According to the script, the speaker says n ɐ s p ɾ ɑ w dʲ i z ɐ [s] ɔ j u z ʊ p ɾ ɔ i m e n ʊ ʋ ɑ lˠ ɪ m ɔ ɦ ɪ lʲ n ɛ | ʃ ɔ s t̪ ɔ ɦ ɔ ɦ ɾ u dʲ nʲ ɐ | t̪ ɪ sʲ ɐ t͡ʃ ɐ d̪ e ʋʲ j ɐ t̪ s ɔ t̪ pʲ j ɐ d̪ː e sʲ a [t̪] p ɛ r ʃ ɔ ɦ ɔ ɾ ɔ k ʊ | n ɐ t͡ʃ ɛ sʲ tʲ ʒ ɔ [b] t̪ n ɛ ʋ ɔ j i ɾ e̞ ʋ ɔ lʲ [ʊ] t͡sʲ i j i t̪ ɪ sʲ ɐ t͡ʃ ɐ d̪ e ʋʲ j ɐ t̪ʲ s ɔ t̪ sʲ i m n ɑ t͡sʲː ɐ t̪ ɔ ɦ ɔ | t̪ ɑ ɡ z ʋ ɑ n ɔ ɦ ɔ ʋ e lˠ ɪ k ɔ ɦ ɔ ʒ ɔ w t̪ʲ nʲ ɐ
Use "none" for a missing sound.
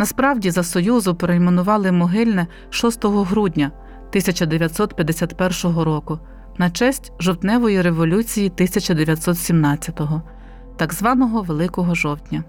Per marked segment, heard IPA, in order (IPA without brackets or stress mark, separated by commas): s, t̪, w, u